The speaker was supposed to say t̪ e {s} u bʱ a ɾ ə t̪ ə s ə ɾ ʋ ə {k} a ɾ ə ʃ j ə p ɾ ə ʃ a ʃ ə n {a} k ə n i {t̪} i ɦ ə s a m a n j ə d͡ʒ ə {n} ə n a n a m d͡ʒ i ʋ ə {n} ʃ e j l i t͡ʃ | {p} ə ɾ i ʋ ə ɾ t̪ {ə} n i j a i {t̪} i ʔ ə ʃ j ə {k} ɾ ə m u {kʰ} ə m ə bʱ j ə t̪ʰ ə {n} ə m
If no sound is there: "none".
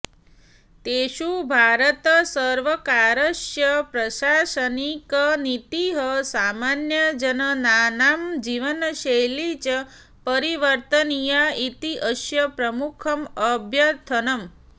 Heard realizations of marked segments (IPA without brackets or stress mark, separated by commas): ʃ, k, i, t̪, n, n, p, ə, t̪, p, kʰ, n